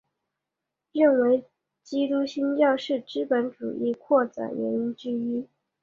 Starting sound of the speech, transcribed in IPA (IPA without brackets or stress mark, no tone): ɻ